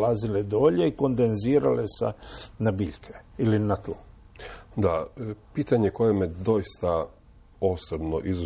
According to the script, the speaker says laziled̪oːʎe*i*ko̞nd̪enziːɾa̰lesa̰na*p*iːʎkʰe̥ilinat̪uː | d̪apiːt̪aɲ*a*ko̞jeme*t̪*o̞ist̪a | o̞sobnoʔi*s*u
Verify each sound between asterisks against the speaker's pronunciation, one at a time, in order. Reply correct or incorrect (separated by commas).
correct, incorrect, incorrect, incorrect, incorrect